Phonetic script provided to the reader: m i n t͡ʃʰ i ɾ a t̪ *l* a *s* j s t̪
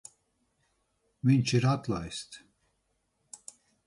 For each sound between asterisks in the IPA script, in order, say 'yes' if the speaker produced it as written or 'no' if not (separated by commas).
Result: yes, no